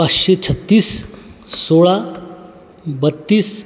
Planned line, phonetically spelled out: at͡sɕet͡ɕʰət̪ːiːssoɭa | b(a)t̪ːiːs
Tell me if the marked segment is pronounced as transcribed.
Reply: no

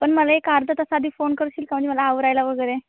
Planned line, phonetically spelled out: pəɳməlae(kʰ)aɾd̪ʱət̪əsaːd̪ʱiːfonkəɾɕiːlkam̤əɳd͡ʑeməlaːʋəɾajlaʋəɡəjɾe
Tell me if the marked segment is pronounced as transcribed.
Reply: no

